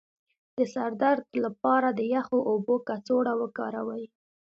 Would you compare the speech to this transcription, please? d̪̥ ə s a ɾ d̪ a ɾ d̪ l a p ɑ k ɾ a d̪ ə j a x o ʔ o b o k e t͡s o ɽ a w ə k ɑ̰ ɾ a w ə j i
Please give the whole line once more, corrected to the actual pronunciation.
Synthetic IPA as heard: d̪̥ ə s a ɾ d̪ a ɾ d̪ l a p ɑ ɾ a d̪ ə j a x o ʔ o b o k a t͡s o ɽ a w ə k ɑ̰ ɾ a w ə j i